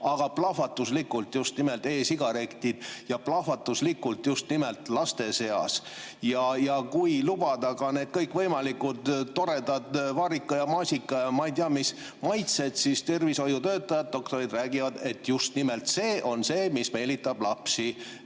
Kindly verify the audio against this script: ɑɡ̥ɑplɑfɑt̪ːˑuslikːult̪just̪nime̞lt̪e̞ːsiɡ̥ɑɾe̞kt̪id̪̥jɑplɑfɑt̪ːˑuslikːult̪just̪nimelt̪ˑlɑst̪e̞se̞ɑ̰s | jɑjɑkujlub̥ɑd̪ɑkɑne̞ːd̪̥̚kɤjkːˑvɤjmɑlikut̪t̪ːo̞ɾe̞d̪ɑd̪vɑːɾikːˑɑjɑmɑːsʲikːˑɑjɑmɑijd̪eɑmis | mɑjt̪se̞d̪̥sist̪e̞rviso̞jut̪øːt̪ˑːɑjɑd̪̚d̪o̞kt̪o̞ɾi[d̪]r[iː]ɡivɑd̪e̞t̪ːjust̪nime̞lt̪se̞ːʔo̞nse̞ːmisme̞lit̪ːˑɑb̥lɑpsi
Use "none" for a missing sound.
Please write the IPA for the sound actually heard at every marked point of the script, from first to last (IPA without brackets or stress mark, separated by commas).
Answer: d̪, æː